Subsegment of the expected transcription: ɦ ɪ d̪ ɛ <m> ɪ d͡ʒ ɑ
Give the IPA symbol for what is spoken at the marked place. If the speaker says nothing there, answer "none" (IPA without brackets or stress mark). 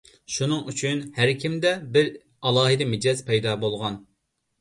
m